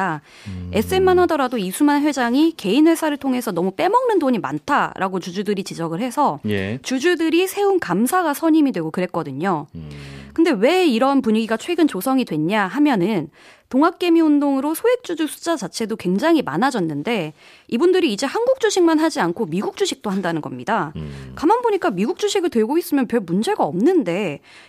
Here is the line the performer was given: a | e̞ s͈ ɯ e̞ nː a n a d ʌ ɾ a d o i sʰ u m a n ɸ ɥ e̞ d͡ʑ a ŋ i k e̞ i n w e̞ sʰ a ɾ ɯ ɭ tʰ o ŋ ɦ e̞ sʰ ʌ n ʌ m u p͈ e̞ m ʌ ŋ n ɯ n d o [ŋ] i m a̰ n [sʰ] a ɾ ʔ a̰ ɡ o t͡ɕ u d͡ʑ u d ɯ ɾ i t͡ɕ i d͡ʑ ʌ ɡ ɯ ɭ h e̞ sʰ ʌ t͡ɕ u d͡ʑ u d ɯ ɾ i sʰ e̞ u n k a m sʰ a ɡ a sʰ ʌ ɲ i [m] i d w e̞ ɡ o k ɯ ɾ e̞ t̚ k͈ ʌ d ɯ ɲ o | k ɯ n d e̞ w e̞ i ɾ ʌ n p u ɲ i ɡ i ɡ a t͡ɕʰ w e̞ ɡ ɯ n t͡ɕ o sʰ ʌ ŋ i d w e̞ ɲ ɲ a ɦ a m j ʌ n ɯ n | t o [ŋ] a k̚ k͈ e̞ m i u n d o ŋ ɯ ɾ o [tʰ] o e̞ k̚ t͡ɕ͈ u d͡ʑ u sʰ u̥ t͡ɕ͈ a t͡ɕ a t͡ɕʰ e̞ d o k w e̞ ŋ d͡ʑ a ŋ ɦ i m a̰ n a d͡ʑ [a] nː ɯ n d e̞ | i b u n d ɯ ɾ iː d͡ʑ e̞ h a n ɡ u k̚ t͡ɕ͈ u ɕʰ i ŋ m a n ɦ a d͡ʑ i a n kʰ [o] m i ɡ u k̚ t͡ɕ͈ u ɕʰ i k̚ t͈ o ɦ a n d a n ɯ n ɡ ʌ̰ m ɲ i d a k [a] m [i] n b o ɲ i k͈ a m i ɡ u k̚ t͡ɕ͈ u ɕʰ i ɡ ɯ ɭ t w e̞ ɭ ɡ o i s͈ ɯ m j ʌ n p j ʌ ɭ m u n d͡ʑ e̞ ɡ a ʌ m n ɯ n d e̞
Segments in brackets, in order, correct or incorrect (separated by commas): incorrect, incorrect, correct, correct, incorrect, incorrect, correct, correct, incorrect